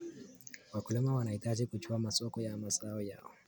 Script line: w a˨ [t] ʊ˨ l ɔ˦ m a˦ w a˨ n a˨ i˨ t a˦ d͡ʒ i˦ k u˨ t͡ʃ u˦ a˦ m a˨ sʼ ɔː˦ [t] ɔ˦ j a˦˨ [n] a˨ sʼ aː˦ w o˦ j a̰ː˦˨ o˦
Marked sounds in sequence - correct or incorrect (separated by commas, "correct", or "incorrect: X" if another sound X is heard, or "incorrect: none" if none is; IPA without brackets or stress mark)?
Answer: incorrect: k, incorrect: k, incorrect: m